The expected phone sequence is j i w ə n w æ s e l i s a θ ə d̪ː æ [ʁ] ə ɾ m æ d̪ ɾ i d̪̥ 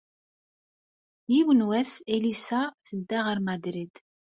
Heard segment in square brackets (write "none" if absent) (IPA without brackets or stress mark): ʁ